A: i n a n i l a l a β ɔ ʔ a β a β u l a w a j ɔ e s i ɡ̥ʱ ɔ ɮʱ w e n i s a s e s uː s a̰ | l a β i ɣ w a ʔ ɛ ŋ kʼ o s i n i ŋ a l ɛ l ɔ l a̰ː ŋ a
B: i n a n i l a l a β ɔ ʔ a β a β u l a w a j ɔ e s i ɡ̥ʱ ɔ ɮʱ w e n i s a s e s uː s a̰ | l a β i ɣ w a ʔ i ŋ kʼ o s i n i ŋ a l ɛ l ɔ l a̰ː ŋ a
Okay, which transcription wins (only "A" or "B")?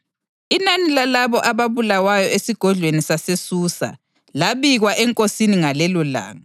A